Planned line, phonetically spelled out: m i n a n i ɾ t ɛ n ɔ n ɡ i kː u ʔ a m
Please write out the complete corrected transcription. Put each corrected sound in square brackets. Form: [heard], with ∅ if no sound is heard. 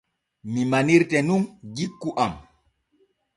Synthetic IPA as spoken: m i [m] a n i ɾ t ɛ n [u] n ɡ i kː u ʔ a m